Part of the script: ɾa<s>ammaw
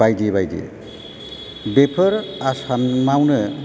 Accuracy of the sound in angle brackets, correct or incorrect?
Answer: correct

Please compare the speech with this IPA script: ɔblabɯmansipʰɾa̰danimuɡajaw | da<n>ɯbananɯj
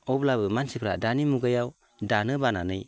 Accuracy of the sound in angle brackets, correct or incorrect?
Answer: correct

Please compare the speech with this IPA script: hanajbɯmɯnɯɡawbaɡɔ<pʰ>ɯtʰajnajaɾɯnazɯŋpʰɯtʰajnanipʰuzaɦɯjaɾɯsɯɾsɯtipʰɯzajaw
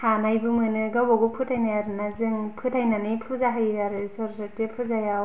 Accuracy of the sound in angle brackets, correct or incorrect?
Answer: correct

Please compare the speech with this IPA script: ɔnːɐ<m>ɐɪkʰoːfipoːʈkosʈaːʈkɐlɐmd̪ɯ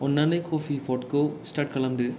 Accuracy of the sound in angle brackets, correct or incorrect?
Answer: incorrect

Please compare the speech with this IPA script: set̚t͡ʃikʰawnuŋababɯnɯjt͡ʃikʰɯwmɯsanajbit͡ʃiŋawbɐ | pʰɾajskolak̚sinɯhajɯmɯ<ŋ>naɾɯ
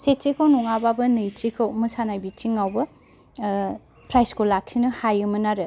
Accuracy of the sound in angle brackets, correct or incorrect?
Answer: incorrect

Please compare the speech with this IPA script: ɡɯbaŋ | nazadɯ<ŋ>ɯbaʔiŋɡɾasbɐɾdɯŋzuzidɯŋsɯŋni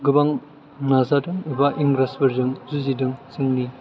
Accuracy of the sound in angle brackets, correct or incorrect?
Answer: correct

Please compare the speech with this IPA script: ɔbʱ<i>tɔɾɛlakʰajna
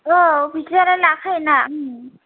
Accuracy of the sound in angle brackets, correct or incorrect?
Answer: correct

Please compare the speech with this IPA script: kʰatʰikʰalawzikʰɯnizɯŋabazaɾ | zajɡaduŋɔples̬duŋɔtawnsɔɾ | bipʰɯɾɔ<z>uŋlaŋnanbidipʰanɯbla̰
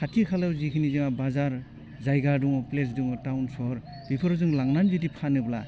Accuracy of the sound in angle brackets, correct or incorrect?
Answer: correct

